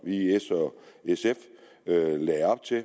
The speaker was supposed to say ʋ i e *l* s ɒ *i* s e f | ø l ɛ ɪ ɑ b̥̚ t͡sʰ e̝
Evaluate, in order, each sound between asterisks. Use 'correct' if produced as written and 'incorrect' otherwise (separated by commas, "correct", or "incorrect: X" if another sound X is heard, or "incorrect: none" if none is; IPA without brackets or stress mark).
incorrect: none, incorrect: e